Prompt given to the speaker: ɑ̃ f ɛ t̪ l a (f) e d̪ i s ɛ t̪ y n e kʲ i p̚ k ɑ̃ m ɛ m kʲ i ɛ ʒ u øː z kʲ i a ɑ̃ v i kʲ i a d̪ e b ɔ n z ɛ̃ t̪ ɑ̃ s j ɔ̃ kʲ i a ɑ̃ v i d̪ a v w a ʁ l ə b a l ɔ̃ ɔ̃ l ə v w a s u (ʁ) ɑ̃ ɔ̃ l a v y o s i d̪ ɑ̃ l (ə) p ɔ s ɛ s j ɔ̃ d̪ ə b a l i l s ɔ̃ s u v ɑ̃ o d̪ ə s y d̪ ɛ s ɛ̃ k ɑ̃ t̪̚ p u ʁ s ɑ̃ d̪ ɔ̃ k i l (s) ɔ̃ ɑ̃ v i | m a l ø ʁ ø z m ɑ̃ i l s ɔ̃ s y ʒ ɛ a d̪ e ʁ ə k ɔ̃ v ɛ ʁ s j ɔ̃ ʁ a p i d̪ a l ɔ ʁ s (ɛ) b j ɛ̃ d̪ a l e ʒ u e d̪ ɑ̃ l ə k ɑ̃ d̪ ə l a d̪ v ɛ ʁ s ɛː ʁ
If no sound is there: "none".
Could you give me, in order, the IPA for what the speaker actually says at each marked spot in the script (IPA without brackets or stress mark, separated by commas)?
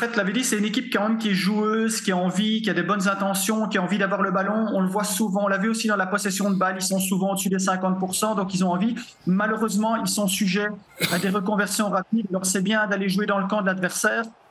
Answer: v, v, a, z, ɛ